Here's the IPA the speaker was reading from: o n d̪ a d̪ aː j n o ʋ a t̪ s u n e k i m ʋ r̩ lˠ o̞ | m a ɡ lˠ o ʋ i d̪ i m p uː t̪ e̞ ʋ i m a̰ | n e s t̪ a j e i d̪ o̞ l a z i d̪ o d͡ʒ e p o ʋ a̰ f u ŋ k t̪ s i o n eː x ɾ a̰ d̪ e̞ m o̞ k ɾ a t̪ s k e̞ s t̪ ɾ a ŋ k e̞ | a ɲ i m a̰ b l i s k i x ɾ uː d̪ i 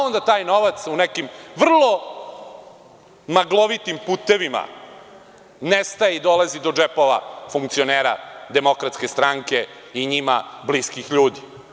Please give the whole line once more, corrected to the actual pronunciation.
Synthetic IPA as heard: o n d̪ a t̪ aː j n o ʋ a t̪ s u n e k i m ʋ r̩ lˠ o̞ | m a ɡ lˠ o ʋ i t̪ i m p uː t̪ e̞ ʋ i m a̰ | n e s t̪ a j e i d̪ o̞ l a z i d̪ o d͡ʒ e p o ʋ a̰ f u ŋ k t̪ s i o n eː ɾ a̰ d̪ e̞ m o̞ k ɾ a t̪ s k e̞ s t̪ ɾ a ŋ k e̞ | i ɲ i m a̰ b l i s k i x ʎ uː d̪ i